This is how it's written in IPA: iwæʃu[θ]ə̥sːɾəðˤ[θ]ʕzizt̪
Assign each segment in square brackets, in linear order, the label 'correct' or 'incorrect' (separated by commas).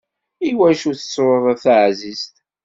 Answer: correct, correct